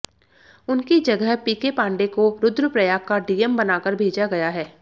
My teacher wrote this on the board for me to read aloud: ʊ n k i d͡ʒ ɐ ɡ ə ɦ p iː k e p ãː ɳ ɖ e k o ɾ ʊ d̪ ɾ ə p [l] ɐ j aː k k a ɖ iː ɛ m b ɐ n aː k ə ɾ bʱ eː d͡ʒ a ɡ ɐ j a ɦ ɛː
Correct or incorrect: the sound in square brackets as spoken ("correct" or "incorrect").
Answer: incorrect